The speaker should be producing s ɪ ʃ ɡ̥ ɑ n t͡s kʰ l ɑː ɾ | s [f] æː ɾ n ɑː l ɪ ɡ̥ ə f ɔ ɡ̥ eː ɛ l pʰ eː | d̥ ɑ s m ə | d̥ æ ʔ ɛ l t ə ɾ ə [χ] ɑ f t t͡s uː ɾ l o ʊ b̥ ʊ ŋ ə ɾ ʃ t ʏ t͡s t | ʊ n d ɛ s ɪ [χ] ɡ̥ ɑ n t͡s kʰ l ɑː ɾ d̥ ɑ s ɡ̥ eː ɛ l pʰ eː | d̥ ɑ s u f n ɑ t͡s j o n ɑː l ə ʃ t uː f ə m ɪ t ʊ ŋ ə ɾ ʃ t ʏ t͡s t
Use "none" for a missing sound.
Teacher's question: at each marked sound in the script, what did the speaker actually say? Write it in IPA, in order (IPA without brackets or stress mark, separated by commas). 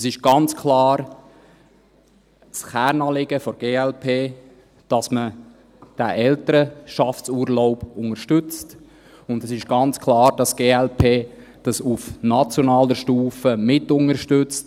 χ, ʃ, ʃ